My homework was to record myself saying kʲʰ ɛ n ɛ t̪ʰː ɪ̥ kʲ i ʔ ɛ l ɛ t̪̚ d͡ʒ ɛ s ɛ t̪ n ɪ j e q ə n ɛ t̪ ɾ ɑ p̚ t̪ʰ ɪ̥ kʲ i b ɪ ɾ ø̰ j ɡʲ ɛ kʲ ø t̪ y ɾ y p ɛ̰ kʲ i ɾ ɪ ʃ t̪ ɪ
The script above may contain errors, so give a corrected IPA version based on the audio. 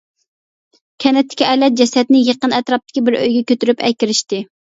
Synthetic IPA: kʲʰ ɛ n ɛ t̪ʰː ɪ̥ kʲ i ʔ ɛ l ɛ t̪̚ d͡ʒ ɛ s ɛ t̪ n ɪ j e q ə n ɛ t̪ ɾ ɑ p̚ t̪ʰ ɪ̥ kʲ i b ɪ ɾ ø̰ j ɡʲ ɛ kʲ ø t̪ y ɾ y p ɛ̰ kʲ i ɾ ɪ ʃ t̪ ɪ